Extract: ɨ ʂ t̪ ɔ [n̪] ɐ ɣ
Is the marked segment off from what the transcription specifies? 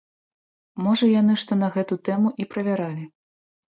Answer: no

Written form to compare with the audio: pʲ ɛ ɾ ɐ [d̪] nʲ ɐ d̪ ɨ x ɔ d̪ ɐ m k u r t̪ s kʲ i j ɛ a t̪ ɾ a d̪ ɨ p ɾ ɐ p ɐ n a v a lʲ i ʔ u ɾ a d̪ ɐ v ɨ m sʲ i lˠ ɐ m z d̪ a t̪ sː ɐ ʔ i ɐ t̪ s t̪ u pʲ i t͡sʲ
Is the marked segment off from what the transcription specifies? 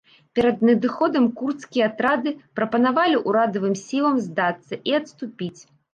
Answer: no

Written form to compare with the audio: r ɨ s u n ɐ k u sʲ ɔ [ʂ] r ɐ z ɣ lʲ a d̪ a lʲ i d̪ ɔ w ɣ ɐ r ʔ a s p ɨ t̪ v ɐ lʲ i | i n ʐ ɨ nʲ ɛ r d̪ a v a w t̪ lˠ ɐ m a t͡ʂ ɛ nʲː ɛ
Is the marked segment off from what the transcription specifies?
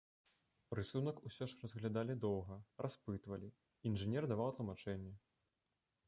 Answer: no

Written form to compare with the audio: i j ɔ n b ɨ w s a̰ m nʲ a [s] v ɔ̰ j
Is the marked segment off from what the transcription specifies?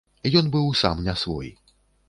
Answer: no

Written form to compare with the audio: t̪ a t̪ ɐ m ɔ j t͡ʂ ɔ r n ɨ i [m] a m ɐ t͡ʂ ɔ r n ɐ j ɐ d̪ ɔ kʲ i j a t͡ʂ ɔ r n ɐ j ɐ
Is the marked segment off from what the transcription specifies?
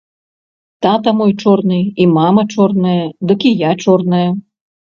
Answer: no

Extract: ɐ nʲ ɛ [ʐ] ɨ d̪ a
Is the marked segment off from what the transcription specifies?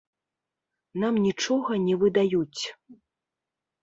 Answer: yes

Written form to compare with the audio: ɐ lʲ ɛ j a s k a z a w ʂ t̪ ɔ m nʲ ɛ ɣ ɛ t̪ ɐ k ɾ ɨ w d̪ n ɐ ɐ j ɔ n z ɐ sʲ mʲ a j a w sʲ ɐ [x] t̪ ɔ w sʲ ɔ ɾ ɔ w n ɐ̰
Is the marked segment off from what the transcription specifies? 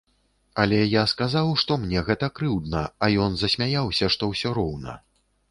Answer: yes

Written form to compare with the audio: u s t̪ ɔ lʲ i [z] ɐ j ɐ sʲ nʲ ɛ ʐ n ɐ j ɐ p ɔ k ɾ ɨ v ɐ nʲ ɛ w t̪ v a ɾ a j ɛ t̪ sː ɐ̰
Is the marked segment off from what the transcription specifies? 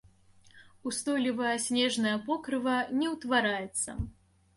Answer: yes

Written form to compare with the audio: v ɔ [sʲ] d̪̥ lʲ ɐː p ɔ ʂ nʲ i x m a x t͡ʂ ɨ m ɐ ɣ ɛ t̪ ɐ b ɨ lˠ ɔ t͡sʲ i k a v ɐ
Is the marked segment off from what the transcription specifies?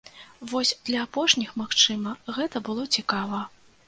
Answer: no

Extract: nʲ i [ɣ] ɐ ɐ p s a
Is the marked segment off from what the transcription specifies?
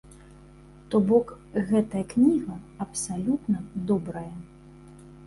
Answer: no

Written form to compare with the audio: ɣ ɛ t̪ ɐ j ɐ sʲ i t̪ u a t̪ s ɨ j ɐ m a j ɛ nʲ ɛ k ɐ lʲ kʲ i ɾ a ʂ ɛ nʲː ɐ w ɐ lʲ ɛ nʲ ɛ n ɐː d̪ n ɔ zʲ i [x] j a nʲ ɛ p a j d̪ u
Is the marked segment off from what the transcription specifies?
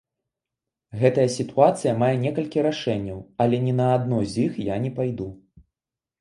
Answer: no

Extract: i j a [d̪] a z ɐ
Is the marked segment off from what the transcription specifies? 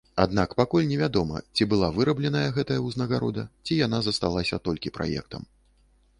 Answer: yes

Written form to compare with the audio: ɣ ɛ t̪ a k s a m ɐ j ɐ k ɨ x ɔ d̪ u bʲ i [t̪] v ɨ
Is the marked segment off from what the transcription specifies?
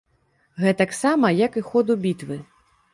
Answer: no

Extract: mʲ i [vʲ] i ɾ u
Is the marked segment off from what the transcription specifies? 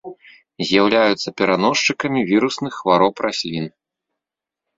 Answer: no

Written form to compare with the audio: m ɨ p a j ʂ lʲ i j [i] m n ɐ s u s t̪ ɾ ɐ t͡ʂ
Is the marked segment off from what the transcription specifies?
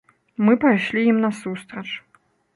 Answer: no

